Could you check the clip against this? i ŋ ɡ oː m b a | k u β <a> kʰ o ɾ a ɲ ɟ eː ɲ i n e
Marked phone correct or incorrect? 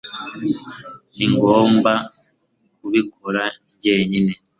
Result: incorrect